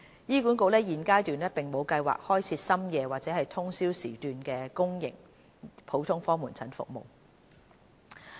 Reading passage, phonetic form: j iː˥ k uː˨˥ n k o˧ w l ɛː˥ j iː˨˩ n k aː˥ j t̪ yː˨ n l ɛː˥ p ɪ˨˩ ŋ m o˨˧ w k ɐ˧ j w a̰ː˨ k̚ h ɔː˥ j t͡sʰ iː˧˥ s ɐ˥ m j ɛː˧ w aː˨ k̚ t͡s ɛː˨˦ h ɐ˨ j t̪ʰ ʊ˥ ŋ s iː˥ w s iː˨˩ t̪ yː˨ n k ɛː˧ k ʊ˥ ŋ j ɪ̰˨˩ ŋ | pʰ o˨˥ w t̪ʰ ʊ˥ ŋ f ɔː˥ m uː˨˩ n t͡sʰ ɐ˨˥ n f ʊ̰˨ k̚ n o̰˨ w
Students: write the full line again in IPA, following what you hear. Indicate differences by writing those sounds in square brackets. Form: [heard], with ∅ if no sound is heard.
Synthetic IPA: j iː˥ k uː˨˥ n k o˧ w l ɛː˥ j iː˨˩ n k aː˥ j t̪ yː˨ n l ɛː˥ p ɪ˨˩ ŋ m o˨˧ w k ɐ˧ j w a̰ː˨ k̚ h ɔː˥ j t͡sʰ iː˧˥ s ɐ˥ m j ɛː˧ w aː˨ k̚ t͡s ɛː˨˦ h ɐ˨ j t̪ʰ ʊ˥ ŋ s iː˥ w s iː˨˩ t̪ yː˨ n k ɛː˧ k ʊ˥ ŋ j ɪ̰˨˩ ŋ | pʰ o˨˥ w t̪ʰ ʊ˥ ŋ f ɔː˥ m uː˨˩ n t͡sʰ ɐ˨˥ n f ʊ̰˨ k̚ [m] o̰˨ w

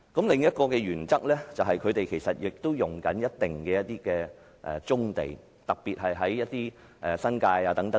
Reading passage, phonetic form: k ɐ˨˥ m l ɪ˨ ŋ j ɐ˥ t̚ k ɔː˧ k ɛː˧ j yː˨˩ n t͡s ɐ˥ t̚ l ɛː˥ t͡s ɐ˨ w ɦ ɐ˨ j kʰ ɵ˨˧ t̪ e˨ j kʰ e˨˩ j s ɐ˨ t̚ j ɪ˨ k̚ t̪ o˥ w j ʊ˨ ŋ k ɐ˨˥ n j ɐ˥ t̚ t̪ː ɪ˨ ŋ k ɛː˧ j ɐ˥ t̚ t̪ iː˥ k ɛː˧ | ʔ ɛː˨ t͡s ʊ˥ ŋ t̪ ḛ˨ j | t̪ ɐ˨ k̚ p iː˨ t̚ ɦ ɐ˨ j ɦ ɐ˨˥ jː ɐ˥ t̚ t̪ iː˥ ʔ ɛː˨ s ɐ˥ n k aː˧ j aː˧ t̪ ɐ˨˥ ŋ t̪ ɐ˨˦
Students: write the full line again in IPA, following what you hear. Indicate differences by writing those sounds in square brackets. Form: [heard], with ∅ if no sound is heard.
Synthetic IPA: k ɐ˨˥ m l ɪ˨ ŋ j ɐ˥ t̚ k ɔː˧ k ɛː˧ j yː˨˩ n t͡s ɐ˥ [k̚] l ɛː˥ t͡s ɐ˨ w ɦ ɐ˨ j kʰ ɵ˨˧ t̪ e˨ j kʰ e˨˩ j s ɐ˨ t̚ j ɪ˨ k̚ t̪ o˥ w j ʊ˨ ŋ k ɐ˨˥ n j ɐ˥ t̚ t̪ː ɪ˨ ŋ k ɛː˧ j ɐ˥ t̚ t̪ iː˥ k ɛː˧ | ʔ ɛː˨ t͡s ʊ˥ ŋ t̪ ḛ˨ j | t̪ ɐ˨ k̚ p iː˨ t̚ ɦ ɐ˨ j ɦ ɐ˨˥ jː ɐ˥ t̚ t̪ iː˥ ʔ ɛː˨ s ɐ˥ n k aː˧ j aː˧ t̪ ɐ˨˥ ŋ t̪ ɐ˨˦

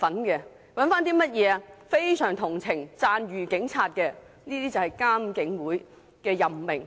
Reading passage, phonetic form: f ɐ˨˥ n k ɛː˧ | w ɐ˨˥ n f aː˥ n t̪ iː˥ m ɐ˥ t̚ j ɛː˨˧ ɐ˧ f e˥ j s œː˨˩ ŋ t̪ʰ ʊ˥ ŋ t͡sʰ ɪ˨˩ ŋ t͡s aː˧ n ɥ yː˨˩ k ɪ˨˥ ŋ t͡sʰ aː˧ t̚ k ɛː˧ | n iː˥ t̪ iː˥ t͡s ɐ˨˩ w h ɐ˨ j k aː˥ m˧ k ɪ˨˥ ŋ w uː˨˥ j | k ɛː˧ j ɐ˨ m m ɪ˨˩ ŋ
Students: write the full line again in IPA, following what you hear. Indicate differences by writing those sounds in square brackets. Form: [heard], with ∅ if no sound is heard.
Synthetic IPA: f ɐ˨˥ n k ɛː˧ | w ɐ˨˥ n f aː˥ n t̪ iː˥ m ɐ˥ t̚ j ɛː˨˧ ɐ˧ f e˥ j s œː˨˩ ŋ t̪ʰ [ʊ˨˩] ŋ t͡sʰ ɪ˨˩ ŋ t͡s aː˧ n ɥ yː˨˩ k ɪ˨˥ ŋ t͡sʰ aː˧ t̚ k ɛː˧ | n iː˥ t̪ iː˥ t͡s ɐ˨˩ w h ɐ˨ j k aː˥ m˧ k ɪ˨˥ ŋ w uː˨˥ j | k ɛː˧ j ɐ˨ m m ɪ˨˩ ŋ

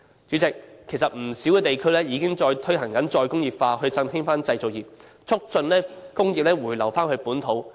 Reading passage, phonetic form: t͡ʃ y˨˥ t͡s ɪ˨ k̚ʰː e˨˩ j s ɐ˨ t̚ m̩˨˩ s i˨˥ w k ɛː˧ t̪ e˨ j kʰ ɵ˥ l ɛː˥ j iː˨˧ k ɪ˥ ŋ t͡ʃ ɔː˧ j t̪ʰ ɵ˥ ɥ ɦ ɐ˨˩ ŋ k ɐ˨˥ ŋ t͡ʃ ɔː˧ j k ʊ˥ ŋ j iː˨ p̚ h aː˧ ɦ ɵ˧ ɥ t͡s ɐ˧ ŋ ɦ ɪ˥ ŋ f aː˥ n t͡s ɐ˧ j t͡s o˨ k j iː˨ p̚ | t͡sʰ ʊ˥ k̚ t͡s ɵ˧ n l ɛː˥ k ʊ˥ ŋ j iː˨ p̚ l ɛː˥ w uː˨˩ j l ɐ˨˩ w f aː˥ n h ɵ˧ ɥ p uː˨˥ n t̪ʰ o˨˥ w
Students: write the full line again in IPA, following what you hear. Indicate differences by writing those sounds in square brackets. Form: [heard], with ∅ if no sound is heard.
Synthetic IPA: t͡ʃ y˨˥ t͡s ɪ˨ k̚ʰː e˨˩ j s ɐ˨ t̚ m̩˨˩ s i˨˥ w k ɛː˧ t̪ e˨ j kʰ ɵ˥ l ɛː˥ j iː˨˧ k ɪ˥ ŋ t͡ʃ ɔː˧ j t̪ʰ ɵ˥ ɥ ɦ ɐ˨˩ ŋ k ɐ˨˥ [n] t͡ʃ ɔː˧ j k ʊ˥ ŋ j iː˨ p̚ [f] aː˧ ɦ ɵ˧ ɥ t͡s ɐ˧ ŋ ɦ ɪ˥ ŋ f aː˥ n t͡s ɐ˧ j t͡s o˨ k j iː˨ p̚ | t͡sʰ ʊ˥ k̚ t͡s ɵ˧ n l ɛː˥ k ʊ˥ ŋ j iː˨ p̚ l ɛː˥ w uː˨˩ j l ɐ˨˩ w f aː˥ n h ɵ˧ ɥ p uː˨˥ n t̪ʰ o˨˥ w

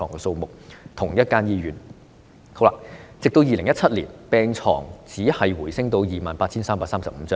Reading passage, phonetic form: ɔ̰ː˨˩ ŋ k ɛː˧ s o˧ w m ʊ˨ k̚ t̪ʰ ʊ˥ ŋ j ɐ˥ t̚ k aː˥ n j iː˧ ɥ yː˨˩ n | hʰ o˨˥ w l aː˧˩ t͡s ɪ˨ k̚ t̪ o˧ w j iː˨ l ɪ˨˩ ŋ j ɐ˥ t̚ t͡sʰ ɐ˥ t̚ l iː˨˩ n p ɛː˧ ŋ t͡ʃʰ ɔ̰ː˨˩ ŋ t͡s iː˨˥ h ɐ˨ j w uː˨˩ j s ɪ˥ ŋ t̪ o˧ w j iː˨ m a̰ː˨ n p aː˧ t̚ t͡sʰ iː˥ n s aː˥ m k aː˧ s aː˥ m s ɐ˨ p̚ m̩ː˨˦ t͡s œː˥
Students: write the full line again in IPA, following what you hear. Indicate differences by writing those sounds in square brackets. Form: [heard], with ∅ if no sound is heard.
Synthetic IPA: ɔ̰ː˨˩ ŋ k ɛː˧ s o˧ w m ʊ˨ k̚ t̪ʰ [ʊ˨˩] ŋ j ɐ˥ t̚ k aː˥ n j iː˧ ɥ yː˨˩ n | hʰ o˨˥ w l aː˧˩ t͡s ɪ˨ k̚ t̪ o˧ w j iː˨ l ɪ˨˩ ŋ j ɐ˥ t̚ t͡sʰ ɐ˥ t̚ l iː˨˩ n p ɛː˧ ŋ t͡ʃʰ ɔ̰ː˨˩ ŋ t͡s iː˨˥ h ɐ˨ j w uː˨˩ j s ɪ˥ ŋ t̪ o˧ w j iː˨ m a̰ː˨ n p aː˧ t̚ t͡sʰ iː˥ n s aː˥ m [p] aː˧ s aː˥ m s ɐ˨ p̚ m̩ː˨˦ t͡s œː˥

